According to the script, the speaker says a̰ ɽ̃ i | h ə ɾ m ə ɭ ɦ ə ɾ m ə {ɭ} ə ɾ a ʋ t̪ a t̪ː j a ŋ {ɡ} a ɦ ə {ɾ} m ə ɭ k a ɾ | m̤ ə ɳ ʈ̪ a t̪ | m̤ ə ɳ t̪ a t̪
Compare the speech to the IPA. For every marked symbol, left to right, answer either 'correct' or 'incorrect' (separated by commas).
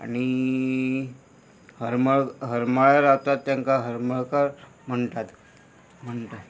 correct, incorrect, correct